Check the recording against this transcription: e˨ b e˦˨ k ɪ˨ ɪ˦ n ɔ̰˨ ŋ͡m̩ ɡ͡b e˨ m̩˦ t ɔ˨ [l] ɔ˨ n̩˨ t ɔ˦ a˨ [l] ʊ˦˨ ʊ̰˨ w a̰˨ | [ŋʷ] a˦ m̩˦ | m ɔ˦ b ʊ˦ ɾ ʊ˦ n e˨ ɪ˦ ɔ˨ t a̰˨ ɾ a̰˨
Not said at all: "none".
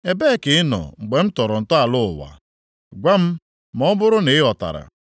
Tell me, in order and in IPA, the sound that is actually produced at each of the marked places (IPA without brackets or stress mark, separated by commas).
ɾ, l, ɡʷ